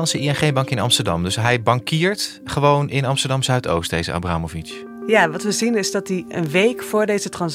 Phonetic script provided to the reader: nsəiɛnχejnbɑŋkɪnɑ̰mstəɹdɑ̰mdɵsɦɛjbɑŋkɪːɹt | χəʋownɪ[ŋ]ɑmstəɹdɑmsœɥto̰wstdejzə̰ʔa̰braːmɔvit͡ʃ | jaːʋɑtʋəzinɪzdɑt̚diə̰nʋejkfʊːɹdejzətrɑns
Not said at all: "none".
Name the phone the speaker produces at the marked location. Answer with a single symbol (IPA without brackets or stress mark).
n